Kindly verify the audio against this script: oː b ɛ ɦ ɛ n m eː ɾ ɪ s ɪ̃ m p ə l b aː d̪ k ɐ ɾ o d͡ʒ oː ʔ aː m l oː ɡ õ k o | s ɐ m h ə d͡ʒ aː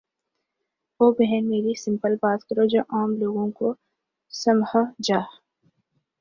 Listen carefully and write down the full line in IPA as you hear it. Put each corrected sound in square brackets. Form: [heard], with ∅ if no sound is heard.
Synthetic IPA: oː b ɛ ɦ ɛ n m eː ɾ [i] s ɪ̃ m p ə l b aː [t̪] k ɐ ɾ o d͡ʒ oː ʔ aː m l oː ɡ õ k o | s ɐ m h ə d͡ʒ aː